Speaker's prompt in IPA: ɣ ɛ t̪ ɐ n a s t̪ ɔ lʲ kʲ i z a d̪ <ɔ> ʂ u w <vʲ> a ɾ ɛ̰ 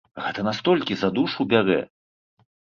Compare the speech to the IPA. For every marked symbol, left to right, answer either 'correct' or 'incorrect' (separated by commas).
incorrect, incorrect